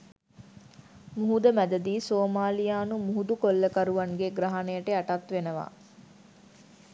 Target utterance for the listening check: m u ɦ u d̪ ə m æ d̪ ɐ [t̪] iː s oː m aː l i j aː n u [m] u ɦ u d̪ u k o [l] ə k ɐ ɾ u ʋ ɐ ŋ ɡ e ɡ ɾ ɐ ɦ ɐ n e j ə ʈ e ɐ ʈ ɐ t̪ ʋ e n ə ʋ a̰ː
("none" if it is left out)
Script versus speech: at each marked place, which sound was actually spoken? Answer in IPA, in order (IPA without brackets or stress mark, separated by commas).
d̪, m, lː